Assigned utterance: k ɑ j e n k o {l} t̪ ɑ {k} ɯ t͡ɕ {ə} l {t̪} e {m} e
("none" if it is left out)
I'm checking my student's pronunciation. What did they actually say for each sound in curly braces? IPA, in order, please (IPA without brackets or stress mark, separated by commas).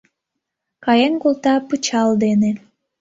l, p, ɑ, d̪, n